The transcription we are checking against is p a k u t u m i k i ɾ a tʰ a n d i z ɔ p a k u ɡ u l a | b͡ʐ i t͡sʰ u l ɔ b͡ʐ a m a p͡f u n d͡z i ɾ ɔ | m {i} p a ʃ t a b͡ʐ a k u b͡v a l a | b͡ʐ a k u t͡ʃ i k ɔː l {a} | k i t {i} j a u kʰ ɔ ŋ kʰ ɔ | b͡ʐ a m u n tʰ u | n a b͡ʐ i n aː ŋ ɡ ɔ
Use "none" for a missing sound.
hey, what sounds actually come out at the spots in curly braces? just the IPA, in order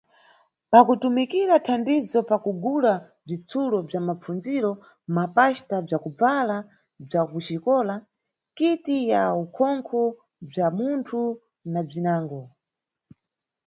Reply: a, a, i

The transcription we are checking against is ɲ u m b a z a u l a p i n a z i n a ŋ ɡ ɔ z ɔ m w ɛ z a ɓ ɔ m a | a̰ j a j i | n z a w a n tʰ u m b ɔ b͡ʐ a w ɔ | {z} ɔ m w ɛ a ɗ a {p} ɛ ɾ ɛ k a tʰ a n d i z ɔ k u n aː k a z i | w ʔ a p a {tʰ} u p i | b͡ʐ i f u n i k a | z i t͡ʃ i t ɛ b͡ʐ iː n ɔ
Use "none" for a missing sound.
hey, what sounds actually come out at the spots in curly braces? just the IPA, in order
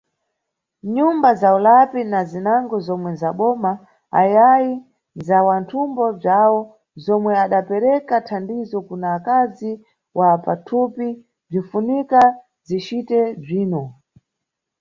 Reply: z, p, tʰ

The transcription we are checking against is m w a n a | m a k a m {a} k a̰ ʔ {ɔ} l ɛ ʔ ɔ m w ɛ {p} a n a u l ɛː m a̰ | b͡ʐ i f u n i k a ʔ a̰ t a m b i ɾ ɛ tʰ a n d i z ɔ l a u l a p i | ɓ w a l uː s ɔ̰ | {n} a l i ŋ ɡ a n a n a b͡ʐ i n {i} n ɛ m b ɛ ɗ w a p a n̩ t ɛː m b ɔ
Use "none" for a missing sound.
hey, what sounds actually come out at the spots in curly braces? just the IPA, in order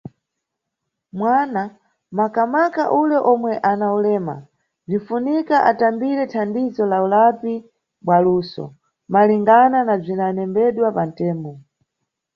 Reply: a, u, ʔ, m, a

